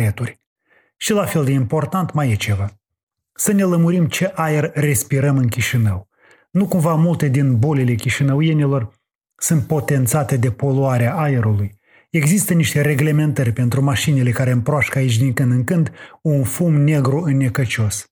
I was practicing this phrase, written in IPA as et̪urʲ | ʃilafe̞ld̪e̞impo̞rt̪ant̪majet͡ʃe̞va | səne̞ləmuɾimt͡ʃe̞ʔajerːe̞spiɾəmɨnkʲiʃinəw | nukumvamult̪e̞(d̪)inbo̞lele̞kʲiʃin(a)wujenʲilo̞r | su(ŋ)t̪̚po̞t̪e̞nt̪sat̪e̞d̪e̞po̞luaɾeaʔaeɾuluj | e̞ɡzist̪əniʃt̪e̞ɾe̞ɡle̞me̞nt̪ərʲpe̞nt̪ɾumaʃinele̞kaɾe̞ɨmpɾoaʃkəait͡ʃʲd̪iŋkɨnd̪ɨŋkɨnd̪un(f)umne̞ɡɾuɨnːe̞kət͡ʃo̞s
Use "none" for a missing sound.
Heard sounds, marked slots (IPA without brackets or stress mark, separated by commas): d̪, ə, n, f